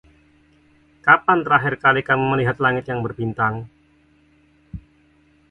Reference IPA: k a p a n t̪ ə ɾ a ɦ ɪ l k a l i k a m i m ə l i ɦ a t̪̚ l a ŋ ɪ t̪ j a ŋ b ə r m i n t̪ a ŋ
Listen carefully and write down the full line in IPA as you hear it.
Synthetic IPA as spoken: k a p a n t̪ ə ɾ a ɦ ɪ r k a l i k a m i m ə l i ɦ a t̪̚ l a ŋ ɪ t̪ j a ŋ b ə r b i n t̪ a ŋ